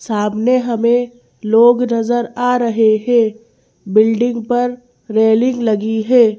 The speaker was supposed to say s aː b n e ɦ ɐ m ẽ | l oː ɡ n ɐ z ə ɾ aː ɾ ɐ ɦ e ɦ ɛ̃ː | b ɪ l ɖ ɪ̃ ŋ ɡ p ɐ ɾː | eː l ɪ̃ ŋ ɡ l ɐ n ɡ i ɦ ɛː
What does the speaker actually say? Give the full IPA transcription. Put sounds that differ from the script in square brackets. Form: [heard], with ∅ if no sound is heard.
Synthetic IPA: s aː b n e ɦ ɐ m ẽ | l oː ɡ n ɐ z ə ɾ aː ɾ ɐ ɦ e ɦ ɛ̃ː | b ɪ l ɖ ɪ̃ ŋ ɡ p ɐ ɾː | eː l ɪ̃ ŋ ɡ l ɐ [∅] ɡ i ɦ ɛː